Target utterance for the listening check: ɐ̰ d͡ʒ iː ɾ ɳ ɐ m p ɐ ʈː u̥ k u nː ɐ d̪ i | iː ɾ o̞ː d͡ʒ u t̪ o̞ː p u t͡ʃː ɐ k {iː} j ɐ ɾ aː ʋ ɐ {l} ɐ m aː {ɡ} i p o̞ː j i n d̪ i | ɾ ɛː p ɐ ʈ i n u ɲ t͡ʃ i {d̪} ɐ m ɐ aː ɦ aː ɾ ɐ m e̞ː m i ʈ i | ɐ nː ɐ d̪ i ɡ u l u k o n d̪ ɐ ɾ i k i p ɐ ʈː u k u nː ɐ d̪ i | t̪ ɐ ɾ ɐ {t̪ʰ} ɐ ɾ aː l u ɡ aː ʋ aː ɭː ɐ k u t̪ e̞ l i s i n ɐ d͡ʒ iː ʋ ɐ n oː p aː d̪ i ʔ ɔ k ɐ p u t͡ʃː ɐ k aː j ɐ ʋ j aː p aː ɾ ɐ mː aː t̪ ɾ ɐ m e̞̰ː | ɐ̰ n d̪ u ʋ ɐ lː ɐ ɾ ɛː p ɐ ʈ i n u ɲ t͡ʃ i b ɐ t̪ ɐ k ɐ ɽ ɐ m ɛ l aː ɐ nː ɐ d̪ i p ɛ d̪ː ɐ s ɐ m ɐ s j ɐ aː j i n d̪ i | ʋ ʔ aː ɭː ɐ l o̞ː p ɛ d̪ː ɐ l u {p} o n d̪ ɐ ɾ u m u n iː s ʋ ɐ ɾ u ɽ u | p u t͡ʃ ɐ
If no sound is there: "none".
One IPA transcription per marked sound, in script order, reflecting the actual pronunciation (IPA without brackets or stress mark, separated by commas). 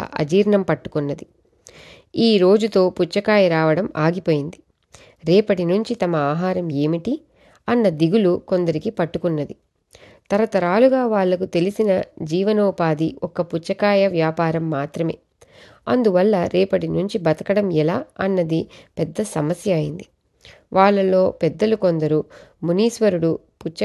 aː, ɽ, ɡ, t̪, t̪, k